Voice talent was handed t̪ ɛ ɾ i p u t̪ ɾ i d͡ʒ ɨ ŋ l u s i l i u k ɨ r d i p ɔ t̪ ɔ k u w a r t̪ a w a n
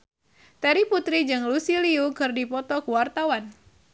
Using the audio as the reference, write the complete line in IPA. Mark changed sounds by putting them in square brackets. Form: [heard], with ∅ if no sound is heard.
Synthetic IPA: t̪ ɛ ɾ i p u t̪ ɾ i d͡ʒ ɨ ŋ l u s i l i u k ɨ r d i p ɔ t̪ ɔ k u w a r t̪ a w a n